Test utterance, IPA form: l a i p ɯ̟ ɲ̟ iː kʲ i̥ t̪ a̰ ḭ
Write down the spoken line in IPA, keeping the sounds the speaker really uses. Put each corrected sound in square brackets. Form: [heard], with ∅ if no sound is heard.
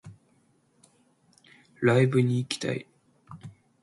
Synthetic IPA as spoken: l a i [b] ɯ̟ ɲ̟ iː kʲ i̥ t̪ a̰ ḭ